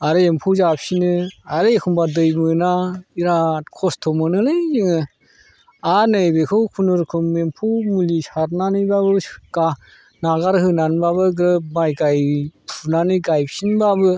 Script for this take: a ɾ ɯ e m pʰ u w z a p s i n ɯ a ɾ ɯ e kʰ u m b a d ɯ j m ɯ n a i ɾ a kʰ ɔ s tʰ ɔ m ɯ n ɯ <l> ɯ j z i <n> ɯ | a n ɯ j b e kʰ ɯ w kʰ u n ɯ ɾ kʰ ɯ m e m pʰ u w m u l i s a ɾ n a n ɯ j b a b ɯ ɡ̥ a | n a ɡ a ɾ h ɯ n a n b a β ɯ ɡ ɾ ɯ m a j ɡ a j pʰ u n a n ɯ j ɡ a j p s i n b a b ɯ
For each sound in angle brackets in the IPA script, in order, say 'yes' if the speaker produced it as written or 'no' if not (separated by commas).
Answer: yes, no